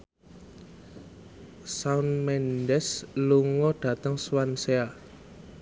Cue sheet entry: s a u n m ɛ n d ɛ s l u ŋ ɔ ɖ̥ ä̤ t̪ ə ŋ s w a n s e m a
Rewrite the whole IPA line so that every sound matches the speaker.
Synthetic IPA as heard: s a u n m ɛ n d ɛ s l u ŋ ɔ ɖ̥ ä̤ t̪ ə ŋ s w a n s e a